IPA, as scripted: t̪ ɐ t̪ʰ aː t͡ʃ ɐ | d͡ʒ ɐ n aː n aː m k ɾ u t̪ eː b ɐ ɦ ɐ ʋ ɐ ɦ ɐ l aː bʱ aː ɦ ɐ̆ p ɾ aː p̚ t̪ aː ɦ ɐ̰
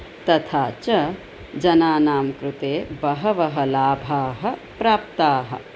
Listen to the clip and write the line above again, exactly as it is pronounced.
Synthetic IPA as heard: t̪ ɐ t̪ʰ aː t͡ʃ ɐ | d͡ʒ ɐ n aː n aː m k ɾ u t̪ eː b ɐ ɦ ɐ ʋ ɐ ɦ ɐ l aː bʱ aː ɦ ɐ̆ p ɾ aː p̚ t̪ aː ɦ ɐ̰